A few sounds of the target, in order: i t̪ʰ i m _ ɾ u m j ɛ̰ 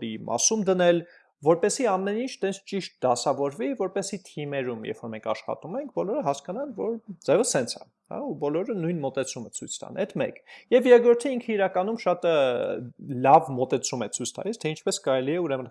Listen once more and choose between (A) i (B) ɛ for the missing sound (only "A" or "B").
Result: B